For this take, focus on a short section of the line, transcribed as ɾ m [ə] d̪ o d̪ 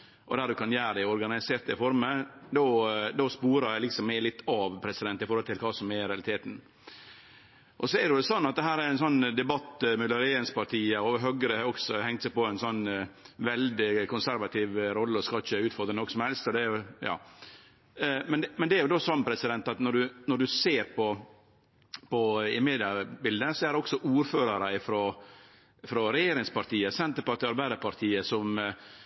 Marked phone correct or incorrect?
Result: correct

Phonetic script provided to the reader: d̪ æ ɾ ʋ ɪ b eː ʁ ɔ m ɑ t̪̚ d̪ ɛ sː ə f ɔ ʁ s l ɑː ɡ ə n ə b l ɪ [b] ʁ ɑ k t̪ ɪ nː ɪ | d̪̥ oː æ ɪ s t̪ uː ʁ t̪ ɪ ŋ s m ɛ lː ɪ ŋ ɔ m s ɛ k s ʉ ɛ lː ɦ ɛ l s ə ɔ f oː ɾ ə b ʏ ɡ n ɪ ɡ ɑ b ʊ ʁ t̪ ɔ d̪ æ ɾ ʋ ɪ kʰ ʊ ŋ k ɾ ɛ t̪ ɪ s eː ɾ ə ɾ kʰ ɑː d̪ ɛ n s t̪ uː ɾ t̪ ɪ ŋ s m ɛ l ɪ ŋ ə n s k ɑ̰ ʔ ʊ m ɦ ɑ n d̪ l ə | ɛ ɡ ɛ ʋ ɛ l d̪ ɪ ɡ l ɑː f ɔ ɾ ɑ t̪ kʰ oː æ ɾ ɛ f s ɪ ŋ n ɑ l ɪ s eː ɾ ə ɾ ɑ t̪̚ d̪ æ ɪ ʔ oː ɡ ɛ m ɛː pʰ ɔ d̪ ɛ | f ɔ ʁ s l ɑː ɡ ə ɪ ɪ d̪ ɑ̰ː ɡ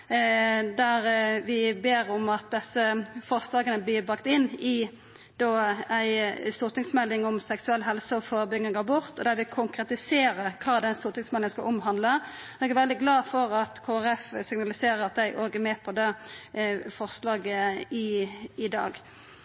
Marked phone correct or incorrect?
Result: correct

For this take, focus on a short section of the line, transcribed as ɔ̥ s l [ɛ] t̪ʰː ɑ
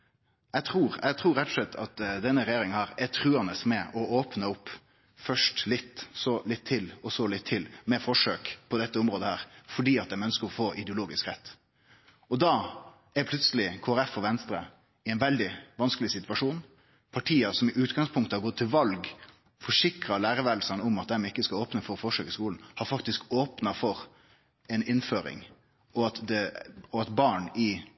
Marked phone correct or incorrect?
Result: correct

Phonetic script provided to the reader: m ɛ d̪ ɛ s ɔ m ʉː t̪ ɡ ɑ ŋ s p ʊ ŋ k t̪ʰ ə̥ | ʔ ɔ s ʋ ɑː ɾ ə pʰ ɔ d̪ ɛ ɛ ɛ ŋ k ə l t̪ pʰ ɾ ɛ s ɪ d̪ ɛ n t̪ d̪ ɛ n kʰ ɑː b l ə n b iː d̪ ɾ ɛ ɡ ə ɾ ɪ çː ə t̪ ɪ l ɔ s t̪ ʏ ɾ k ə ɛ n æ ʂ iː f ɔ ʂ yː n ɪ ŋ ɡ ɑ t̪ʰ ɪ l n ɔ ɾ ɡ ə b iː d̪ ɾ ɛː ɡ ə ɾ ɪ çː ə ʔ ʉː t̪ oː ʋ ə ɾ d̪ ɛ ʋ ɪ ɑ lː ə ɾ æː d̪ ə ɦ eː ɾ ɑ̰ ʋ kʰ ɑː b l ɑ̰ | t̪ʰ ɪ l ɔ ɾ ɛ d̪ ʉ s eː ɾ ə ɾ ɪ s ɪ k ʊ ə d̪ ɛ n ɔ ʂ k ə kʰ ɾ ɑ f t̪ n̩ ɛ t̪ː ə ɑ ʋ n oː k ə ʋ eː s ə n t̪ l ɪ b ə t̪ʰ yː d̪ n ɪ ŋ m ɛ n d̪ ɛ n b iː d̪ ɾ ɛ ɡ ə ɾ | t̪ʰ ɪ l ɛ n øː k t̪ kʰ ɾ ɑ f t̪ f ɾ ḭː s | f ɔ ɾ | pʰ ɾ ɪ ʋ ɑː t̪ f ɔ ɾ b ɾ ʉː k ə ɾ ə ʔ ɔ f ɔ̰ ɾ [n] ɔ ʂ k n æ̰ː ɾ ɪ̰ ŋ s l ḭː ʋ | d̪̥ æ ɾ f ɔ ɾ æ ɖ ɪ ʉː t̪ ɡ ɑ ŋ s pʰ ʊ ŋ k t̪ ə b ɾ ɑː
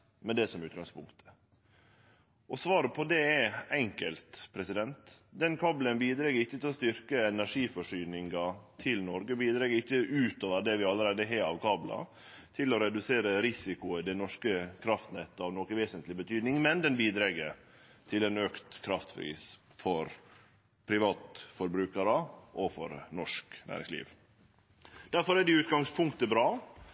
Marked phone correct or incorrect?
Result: correct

